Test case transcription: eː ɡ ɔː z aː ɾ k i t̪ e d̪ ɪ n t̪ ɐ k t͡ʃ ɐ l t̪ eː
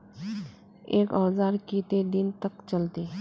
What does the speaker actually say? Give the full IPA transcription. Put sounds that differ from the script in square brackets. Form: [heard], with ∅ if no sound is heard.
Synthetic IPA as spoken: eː [k] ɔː z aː ɾ k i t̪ e d̪ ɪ n t̪ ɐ k t͡ʃ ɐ l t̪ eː